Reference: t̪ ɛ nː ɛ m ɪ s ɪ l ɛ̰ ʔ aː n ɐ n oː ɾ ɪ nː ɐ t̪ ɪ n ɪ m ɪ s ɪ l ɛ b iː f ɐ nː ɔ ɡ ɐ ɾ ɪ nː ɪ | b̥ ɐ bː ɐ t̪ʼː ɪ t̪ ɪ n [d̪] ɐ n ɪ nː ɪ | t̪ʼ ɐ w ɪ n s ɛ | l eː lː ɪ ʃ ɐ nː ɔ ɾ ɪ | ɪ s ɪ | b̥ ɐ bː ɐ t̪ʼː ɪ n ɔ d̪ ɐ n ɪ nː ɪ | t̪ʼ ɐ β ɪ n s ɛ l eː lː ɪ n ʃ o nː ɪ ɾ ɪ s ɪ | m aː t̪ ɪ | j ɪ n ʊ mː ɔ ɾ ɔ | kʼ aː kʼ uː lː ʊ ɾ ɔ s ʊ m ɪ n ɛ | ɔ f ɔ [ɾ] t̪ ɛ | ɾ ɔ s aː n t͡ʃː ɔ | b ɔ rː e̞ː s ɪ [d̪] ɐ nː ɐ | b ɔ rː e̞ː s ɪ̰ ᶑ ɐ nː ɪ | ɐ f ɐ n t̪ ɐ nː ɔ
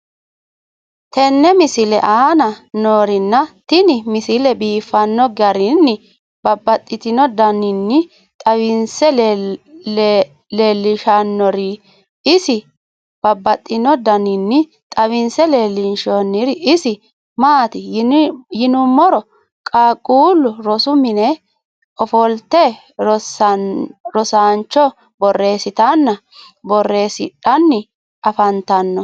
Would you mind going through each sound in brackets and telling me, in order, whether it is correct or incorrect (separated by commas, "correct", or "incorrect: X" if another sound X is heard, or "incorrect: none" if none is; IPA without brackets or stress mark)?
correct, incorrect: l, incorrect: t̪